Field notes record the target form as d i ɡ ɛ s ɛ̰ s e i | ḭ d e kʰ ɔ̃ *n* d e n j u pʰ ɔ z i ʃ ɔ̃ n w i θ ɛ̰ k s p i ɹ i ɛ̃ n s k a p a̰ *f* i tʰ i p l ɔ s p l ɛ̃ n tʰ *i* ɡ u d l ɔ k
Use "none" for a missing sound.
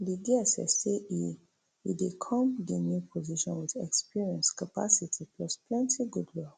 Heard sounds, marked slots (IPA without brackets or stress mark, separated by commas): m, s, i